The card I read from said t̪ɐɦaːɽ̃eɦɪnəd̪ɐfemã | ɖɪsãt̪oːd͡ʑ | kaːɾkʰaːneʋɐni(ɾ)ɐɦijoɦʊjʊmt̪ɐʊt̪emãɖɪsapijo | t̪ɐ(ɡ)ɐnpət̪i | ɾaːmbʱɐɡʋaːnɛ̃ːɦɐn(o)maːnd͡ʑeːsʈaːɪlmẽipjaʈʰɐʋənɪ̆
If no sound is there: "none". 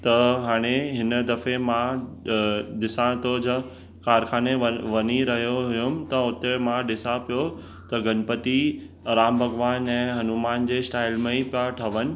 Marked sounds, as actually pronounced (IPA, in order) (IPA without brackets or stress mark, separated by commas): ɾ, ɡ, u